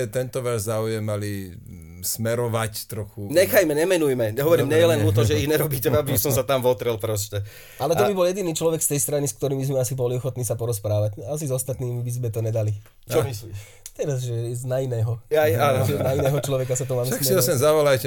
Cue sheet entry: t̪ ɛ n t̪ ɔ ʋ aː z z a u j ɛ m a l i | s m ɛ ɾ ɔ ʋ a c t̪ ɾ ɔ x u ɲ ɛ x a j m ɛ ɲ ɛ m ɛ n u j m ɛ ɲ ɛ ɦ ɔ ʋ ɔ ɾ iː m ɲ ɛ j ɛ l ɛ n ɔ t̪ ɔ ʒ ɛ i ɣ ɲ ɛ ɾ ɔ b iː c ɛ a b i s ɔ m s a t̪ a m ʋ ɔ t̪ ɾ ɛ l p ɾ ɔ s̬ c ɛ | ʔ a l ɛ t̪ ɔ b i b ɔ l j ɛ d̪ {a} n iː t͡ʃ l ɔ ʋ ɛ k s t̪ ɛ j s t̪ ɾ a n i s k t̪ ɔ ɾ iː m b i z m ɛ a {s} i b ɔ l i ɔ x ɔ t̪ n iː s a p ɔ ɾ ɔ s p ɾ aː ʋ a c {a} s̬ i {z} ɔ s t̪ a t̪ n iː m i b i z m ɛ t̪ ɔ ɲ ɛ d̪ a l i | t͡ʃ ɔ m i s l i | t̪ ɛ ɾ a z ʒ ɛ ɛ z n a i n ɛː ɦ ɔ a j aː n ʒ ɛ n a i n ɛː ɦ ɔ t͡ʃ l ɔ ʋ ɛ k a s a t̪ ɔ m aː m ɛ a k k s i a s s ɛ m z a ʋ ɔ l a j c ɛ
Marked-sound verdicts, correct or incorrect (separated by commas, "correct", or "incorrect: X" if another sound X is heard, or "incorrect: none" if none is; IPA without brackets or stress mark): incorrect: i, correct, correct, correct